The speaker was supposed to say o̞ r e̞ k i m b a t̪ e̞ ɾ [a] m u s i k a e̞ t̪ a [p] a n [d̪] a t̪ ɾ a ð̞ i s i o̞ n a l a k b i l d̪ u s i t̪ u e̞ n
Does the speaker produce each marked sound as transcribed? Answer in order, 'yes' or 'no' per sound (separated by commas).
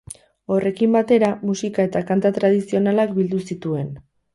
yes, no, no